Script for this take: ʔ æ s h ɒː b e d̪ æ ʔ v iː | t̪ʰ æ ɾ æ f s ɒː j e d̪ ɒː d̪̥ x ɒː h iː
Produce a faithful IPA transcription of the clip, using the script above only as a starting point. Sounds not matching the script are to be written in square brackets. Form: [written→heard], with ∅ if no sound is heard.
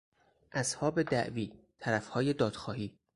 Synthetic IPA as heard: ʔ æ s h ɒː b e d̪ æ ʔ v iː | t̪ʰ æ ɾ æ f [s→h] ɒː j e d̪ ɒː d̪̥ x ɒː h iː